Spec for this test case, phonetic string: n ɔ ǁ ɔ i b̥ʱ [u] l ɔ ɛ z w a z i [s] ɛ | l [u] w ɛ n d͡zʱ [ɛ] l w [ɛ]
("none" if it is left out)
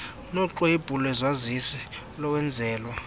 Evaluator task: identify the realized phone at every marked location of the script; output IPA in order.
u, s, ɔ, ɛː, a

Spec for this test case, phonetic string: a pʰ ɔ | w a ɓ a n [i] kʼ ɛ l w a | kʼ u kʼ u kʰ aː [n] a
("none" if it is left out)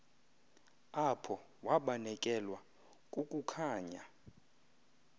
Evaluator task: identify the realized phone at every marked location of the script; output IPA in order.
ɛ, ɲ

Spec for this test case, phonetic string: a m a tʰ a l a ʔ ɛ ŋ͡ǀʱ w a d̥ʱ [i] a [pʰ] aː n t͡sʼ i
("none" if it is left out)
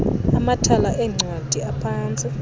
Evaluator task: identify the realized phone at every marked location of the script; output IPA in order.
i, pʰ

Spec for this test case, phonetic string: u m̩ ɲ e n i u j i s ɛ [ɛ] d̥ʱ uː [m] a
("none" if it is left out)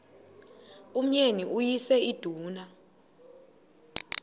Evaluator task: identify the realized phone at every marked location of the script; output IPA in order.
i, n

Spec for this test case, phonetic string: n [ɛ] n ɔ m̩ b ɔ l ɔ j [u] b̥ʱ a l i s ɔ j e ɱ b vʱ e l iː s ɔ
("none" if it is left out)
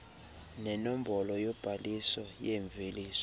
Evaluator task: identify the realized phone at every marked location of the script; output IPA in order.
ɛ, ɔ

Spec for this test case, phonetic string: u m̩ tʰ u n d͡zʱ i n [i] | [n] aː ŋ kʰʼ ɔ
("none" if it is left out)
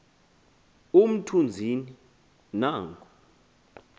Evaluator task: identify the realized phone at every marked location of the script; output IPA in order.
i, n

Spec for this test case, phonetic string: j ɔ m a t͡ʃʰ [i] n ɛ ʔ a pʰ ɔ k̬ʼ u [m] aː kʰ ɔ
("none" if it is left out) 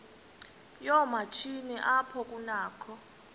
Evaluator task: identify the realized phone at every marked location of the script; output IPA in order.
i, n

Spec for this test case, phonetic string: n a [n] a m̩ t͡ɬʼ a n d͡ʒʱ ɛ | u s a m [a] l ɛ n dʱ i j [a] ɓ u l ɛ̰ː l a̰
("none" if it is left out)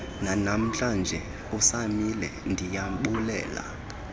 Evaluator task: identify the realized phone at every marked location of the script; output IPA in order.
n, i, a

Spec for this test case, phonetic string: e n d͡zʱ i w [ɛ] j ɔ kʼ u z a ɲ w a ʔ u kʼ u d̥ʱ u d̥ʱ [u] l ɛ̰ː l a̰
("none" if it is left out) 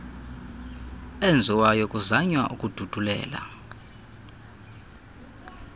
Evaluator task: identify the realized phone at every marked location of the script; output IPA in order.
a, u

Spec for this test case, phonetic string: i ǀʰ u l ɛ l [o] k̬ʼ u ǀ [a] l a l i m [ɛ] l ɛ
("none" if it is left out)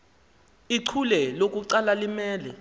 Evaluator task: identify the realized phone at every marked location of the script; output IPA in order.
o, a, ɛː

